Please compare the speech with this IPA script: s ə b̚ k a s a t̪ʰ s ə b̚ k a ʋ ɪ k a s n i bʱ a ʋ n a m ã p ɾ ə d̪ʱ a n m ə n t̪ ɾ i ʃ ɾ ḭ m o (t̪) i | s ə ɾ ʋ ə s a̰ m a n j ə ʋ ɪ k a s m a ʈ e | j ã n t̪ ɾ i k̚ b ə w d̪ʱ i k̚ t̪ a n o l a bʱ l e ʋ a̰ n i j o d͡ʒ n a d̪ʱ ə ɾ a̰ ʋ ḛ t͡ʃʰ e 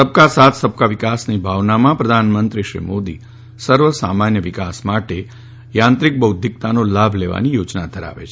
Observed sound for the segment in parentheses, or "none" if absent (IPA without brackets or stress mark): d̪